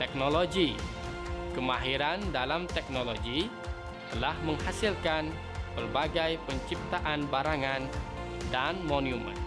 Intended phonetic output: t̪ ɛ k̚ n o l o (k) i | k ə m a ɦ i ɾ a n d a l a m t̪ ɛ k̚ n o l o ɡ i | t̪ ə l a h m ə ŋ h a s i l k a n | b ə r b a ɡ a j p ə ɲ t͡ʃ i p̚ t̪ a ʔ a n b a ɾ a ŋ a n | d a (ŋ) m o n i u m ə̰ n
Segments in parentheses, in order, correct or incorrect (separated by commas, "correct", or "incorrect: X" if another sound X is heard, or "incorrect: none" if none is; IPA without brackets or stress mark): incorrect: ɡ, incorrect: n